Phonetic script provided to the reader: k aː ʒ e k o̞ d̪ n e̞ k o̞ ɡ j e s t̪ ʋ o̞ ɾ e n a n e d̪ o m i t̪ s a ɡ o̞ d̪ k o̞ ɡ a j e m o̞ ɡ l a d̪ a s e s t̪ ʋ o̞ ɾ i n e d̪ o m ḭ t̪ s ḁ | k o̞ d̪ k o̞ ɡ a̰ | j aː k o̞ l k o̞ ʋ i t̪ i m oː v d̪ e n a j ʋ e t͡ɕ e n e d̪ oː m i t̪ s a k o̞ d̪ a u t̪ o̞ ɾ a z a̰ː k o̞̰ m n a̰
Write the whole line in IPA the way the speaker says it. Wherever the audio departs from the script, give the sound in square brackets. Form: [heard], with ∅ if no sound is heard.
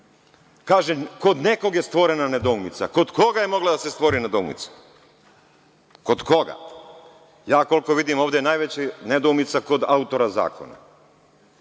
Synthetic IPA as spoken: k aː ʒ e k o̞ d̪ n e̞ k o̞ ɡ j e s t̪ ʋ o̞ ɾ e n a n e d̪ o m i t̪ s a [k] o̞ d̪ k o̞ ɡ a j e m o̞ ɡ l a d̪ a s e s t̪ ʋ o̞ ɾ i n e d̪ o m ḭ t̪ s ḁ | k o̞ d̪ k o̞ ɡ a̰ | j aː k o̞ l k o̞ ʋ i [d̪] i m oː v d̪ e n a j ʋ e t͡ɕ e n e d̪ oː m i t̪ s a k o̞ d̪ a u t̪ o̞ ɾ a z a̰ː k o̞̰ [∅] n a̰